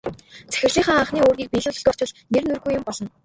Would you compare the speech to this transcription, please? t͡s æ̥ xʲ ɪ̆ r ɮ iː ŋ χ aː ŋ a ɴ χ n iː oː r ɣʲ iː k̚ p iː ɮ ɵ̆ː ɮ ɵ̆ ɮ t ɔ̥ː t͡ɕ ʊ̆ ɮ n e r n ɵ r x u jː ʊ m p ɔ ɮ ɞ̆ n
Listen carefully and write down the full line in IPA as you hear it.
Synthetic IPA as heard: t͡s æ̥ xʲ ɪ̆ r ɮ iː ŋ χ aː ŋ a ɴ χ n iː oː r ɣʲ iː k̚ p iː ɮ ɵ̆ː ɮ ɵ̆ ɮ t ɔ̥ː t͡ɕ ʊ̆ ɮ n e r n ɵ r ɣ u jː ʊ m p ɔ ɮ ɞ̆ n